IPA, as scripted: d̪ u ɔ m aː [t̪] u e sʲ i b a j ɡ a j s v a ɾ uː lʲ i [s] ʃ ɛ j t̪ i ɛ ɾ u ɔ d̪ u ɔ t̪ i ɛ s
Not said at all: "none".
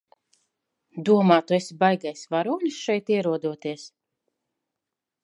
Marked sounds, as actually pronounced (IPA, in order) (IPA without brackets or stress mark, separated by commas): t̪, s